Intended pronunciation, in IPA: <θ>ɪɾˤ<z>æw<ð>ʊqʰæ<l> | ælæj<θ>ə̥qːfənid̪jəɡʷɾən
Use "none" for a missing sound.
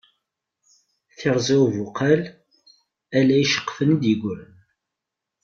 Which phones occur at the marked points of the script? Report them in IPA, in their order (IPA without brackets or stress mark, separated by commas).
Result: θ, z, v, l, ʃ